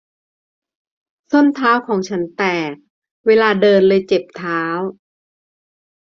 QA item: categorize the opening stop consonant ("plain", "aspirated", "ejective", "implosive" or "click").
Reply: aspirated